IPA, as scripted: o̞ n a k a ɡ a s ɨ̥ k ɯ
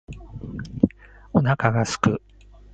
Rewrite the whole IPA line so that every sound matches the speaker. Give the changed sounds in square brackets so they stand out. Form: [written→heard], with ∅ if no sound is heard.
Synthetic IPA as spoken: o̞ n a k a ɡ a s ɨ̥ k ɯ